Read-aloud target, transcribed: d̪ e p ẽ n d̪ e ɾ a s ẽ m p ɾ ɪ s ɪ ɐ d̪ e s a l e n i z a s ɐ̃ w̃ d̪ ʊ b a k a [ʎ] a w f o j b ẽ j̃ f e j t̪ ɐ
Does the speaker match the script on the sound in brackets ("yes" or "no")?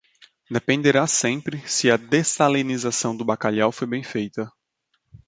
yes